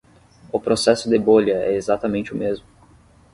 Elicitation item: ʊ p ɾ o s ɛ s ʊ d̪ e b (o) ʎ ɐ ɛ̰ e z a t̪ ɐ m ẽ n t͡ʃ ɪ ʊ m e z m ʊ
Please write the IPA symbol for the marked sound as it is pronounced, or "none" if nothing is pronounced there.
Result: o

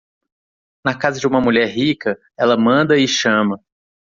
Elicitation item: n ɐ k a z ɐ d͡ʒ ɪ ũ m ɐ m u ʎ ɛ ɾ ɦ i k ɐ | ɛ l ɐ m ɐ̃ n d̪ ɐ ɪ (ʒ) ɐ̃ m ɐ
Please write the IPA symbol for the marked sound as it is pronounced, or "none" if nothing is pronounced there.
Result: ʃ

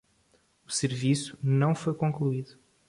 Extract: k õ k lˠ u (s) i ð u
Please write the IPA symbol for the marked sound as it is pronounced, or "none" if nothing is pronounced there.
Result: none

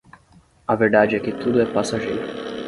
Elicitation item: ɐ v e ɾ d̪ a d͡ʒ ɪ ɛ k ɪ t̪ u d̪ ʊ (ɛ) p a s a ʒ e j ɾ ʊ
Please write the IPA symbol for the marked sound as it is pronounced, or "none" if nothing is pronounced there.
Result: ɛ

